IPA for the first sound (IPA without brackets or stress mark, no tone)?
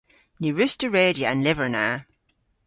n